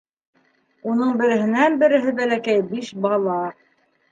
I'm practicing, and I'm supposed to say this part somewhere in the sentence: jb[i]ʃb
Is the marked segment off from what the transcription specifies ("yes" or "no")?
no